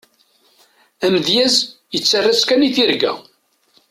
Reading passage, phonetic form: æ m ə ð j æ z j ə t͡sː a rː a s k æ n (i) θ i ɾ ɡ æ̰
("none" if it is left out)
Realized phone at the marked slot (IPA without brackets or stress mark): i